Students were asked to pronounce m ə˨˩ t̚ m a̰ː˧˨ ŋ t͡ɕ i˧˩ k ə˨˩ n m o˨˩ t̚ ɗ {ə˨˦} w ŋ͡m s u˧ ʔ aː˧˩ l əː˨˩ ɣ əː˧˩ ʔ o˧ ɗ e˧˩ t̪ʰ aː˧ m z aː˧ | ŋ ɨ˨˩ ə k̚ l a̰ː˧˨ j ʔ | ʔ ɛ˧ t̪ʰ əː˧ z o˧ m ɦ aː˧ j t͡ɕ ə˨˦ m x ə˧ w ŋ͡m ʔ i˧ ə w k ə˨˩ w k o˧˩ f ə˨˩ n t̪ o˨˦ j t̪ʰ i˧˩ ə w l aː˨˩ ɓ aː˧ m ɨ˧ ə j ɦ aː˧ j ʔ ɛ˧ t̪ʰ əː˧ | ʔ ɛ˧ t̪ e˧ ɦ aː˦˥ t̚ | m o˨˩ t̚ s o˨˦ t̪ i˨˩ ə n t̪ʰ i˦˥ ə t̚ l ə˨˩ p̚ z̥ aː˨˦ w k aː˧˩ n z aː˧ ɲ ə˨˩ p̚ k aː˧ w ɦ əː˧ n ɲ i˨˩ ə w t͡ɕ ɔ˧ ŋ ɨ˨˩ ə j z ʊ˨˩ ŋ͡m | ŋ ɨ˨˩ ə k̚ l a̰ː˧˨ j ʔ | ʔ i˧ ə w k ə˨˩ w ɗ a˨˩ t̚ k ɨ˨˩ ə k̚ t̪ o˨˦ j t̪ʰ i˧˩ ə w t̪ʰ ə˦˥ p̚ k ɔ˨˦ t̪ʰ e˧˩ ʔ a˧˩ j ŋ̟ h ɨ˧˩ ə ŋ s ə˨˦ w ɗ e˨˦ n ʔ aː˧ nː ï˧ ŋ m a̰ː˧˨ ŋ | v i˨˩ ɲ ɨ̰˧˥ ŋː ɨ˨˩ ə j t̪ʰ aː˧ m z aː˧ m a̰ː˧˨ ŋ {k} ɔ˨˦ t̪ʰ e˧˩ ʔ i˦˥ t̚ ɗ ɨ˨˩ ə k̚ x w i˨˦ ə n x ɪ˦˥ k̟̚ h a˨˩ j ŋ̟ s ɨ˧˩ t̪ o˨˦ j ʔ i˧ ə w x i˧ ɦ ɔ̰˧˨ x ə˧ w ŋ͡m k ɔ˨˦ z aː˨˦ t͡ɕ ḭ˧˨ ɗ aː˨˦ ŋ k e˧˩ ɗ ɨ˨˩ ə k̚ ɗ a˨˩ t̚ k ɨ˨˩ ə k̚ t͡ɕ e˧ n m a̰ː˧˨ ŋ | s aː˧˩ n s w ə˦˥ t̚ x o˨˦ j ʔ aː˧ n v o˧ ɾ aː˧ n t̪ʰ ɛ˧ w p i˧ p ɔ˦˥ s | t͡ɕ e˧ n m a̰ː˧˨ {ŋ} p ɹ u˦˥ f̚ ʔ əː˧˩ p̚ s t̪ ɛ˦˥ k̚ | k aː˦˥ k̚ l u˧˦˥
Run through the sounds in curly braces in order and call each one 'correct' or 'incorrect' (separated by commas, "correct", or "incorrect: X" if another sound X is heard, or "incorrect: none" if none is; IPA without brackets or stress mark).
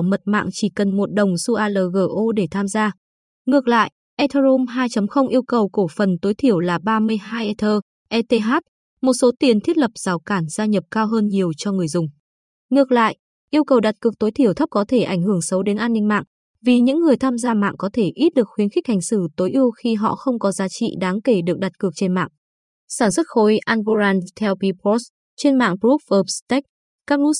incorrect: ə˨˩, correct, correct